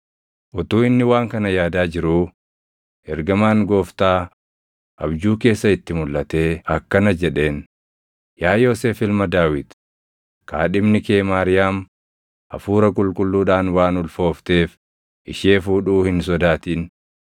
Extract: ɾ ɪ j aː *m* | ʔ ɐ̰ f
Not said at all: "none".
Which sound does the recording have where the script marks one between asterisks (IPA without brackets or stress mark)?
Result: m